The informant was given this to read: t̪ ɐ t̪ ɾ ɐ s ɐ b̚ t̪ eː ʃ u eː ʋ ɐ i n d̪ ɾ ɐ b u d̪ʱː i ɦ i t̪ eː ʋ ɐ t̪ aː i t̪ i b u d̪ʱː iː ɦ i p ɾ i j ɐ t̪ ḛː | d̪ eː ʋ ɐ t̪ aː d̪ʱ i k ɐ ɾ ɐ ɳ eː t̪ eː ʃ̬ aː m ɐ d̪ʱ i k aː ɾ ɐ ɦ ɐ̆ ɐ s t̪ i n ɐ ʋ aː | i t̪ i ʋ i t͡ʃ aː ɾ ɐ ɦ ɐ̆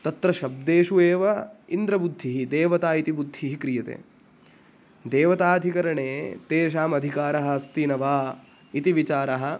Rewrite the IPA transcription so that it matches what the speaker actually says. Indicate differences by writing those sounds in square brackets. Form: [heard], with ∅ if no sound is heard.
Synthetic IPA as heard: t̪ ɐ t̪ ɾ ɐ [ʃ] ɐ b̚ [d̪] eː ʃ u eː ʋ ɐ i n d̪ ɾ ɐ b u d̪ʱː i ɦ i [d̪] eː ʋ ɐ t̪ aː i t̪ i b u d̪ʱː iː ɦ i [k] ɾ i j ɐ t̪ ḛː | d̪ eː ʋ ɐ t̪ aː d̪ʱ i k ɐ ɾ ɐ ɳ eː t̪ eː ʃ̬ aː m ɐ d̪ʱ i k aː ɾ ɐ ɦ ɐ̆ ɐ s t̪ i n ɐ ʋ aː | i t̪ i ʋ i t͡ʃ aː ɾ ɐ ɦ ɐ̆